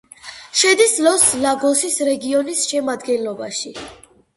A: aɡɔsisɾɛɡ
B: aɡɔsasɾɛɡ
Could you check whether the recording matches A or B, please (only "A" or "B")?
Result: A